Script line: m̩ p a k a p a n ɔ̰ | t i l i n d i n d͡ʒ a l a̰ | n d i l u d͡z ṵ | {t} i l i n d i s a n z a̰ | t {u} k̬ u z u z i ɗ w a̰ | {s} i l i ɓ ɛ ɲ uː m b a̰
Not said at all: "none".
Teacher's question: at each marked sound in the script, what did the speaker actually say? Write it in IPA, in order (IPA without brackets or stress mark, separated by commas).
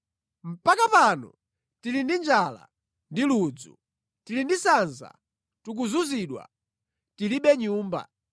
t, u, t